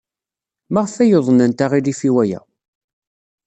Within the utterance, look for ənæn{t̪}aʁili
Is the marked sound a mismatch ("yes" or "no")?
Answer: no